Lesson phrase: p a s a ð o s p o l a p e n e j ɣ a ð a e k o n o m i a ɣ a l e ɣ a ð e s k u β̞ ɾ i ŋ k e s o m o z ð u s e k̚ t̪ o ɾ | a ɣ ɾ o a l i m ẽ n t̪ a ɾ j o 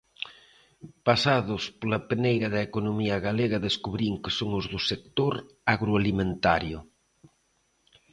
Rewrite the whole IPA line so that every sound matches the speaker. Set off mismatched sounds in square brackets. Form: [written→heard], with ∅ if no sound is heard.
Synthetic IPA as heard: p a s a ð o s p o l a p e n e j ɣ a ð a e k o n o m i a ɣ a l e ɣ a ð e s k u β̞ ɾ i ŋ k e s o [m→ŋ] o z ð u s e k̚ t̪ o ɾ | a ɣ ɾ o a l i m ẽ n t̪ a ɾ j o